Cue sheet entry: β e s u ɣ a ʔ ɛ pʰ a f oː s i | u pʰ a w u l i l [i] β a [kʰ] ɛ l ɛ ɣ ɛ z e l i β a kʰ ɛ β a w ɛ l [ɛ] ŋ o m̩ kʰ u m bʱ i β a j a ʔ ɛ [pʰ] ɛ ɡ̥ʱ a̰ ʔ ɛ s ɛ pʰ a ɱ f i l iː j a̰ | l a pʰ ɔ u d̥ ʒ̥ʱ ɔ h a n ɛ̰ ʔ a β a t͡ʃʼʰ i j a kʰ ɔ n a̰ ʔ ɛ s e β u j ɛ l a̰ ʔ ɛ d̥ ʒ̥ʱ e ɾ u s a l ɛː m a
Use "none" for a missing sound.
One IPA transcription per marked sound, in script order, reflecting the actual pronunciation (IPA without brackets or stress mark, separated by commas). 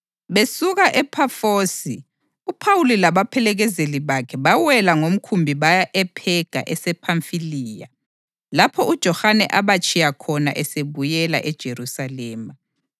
a, pʰ, a, pʰ